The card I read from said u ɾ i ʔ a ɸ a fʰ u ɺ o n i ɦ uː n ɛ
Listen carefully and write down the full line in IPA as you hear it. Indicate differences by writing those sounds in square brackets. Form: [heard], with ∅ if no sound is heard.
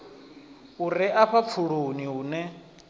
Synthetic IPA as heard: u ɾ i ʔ a ɸ a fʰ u ɺ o n i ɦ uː n ɛ